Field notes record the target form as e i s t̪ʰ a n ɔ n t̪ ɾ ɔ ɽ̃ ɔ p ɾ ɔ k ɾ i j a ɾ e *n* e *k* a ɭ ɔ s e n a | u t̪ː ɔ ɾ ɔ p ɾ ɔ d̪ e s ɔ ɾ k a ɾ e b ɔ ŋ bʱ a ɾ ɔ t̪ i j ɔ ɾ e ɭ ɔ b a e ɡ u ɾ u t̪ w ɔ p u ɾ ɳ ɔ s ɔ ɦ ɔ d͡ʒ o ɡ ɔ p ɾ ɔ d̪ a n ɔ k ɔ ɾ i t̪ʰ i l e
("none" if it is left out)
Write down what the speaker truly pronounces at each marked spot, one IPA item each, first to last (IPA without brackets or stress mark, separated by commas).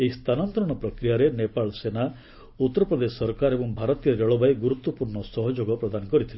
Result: n, p